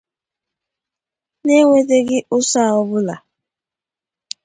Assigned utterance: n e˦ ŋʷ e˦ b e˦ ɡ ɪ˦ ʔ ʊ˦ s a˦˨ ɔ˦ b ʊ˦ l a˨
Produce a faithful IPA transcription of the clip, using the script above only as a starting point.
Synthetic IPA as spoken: n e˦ ŋʷ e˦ d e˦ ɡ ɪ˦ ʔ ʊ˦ s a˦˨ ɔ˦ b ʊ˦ l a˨